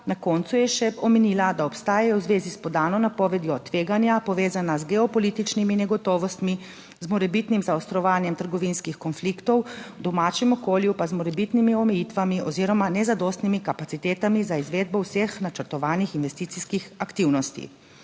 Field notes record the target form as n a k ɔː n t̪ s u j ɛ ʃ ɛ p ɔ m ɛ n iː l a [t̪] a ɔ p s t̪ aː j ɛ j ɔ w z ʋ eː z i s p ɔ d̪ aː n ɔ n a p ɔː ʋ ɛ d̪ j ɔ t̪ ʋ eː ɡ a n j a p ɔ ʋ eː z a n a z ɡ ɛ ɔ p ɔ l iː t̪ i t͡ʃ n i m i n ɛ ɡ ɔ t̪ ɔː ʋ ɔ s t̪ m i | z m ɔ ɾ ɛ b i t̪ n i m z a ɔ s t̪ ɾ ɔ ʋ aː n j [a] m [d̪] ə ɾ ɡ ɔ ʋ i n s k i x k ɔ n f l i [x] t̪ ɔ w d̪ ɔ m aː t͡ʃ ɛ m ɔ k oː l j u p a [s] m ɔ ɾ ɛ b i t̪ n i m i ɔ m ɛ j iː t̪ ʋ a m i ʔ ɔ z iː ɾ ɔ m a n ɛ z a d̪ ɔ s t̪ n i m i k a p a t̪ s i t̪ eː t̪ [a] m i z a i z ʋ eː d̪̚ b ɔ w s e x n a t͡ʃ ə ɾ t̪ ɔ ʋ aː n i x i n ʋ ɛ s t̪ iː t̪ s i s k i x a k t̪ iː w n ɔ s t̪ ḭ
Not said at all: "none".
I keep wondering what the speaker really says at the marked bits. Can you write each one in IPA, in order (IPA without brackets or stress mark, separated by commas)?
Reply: d̪, ɛ, t̪, k, z, a